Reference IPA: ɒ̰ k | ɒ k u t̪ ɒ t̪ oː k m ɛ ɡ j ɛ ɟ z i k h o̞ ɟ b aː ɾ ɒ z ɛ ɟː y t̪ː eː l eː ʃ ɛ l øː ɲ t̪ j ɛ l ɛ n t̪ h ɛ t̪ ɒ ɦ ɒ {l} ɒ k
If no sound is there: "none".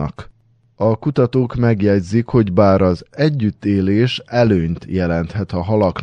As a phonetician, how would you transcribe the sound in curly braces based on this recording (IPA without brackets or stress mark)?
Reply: l